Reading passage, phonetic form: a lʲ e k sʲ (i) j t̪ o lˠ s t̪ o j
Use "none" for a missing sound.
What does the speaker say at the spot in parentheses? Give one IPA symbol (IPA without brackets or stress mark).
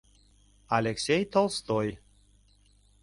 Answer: e